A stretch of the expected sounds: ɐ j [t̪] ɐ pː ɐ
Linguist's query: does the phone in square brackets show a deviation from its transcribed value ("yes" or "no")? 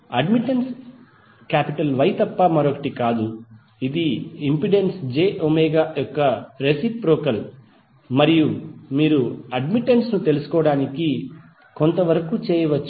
no